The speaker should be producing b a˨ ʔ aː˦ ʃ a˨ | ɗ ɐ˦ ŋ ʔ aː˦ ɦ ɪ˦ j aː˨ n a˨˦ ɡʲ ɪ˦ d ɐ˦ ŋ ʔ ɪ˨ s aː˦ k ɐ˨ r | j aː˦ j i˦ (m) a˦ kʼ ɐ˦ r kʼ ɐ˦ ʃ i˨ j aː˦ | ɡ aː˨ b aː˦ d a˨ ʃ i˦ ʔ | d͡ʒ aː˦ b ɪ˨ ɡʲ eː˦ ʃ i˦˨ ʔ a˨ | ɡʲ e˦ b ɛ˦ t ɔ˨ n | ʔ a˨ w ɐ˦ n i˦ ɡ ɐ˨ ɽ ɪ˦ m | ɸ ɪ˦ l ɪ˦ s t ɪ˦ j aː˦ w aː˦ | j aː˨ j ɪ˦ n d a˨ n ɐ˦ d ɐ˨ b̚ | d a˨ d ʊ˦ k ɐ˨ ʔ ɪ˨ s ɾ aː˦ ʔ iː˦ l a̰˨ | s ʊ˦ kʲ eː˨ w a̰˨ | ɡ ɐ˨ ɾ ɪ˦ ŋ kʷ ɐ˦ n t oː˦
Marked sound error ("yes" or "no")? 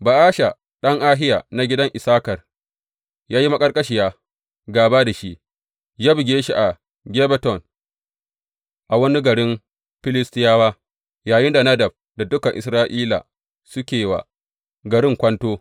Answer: no